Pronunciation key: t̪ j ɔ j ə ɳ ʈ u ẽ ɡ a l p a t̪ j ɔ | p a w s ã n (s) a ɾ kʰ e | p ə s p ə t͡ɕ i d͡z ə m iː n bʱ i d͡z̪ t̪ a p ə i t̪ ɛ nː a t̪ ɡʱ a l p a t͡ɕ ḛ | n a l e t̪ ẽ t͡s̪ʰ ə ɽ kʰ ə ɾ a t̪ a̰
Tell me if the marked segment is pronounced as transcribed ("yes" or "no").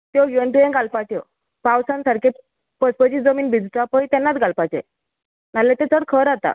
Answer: yes